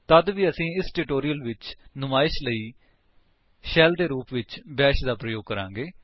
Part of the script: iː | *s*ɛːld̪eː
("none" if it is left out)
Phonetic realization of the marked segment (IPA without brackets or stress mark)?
ʃ